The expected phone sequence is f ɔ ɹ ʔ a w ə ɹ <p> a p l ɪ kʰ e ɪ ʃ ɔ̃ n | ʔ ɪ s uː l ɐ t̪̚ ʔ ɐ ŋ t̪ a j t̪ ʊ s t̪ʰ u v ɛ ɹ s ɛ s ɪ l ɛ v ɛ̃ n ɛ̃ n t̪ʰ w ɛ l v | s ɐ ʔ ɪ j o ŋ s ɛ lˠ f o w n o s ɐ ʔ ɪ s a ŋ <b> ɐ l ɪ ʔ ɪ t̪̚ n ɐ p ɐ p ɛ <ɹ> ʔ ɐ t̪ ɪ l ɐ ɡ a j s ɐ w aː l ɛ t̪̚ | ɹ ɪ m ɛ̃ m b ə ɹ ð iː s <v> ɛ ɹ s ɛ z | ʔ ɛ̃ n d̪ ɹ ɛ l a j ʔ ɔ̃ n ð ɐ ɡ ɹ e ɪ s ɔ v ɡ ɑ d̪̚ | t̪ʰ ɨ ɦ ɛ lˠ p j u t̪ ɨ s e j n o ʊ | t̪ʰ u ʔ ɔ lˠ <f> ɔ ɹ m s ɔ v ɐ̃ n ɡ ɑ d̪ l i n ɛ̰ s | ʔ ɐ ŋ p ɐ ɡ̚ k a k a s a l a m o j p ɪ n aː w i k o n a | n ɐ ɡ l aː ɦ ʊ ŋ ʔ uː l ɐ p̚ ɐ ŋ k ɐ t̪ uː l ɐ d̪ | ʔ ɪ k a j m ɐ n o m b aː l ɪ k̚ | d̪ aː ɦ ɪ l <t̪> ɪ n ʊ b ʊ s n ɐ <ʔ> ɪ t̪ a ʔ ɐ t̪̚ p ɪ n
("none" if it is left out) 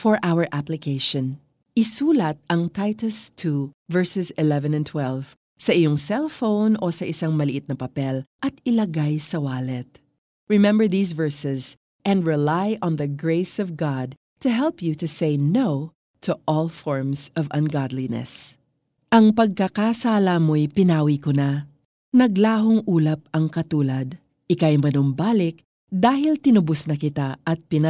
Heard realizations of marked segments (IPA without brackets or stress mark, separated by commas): ʔ, m, l, v, f, t̪, k